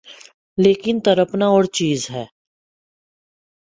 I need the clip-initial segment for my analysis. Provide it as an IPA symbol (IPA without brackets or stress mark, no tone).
l